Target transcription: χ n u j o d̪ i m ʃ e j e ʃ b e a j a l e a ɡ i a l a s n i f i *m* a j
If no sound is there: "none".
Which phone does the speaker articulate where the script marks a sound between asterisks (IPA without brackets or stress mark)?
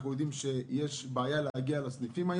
m